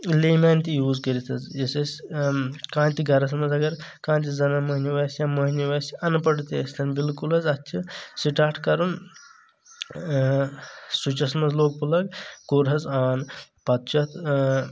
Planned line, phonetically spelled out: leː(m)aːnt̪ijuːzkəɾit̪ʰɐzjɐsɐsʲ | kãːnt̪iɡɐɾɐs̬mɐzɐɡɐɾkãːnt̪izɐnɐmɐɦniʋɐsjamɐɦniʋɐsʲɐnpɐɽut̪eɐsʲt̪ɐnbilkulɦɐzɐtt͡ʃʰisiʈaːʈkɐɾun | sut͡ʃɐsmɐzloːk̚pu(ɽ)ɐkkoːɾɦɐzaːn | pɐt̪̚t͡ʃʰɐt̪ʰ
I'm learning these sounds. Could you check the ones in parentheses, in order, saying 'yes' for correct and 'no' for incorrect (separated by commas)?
yes, no